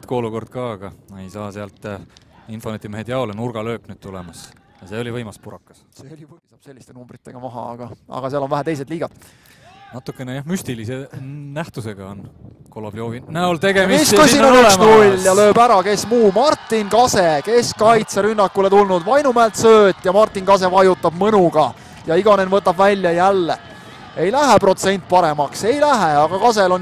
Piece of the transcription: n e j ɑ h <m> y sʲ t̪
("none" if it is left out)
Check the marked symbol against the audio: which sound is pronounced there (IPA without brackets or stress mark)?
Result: m